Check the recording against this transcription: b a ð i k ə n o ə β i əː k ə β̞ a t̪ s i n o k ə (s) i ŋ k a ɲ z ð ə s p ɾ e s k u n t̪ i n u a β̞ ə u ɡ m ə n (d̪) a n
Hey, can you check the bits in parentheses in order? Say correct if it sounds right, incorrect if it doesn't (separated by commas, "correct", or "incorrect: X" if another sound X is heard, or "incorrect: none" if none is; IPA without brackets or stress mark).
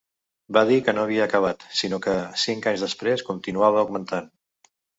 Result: correct, incorrect: t̪